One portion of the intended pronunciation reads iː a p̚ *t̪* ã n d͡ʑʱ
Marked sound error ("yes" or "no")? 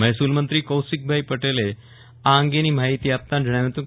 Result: no